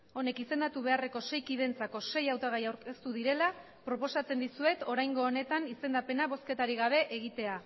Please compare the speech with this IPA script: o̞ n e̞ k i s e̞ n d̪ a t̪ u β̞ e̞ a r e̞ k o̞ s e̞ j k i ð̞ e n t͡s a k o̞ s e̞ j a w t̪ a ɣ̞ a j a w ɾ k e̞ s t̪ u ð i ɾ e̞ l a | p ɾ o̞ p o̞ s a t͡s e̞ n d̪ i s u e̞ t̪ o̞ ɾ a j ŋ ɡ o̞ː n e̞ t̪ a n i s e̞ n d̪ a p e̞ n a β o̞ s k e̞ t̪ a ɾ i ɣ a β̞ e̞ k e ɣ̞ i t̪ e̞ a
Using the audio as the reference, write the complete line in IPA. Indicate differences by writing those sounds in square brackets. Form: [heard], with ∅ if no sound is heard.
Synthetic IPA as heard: o̞ n e̞ k i s e̞ n d̪ a t̪ u β̞ e̞ a r e̞ k o̞ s e̞ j k i ð̞ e n t͡s a k o̞ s e̞ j a w t̪ a ɣ̞ a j a w ɾ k e̞ s t̪ u ð i ɾ e̞ l a | p ɾ o̞ p o̞ s a t͡s e̞ n d̪ i s u e̞ t̪ o̞ ɾ a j ŋ ɡ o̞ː n e̞ t̪ a n i s e̞ n d̪ a p e̞ n a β o̞ s k e̞ t̪ a ɾ i ɣ a β̞ e̞ [ʔ] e ɣ̞ i t̪ e̞ a